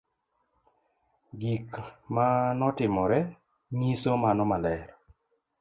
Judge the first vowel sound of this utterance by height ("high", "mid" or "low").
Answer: high